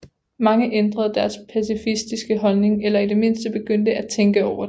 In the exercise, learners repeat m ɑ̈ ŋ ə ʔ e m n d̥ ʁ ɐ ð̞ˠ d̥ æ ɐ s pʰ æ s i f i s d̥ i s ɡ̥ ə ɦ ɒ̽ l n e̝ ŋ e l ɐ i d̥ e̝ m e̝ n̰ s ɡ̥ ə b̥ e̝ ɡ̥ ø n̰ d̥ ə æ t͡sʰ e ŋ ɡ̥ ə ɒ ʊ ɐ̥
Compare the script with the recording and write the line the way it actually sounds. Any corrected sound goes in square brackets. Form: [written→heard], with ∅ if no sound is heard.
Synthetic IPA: m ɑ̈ ŋ ə ʔ e [m→∅] n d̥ ʁ ɐ ð̞ˠ d̥ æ ɐ s pʰ æ s i f i s d̥ i s ɡ̥ ə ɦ ɒ̽ l n e̝ ŋ e l ɐ i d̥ e̝ m e̝ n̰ s [ɡ̥→d̥] ə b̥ e̝ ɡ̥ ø n̰ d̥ ə æ t͡sʰ e ŋ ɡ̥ ə ɒ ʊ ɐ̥